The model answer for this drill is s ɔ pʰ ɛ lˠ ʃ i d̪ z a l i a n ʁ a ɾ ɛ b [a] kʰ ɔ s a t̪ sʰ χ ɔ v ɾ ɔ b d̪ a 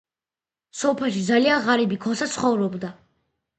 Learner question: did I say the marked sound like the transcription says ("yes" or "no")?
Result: no